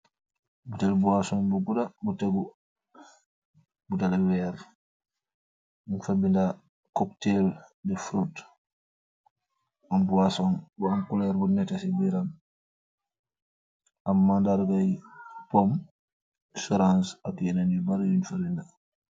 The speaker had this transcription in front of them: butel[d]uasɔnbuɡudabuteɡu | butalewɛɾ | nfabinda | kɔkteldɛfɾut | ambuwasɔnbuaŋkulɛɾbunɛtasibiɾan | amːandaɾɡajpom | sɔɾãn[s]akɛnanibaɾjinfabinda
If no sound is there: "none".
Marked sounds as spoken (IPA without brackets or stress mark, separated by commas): b, s